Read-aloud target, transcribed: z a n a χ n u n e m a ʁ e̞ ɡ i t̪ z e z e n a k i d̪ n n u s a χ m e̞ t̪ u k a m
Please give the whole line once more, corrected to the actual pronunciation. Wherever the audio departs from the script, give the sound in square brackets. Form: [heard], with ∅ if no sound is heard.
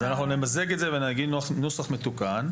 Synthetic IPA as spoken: z a n a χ n u n e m a [z] e̞ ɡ [e] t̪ z e [v] e n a [ɡ] i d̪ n n u s a χ m e̞ t̪ u k a [n]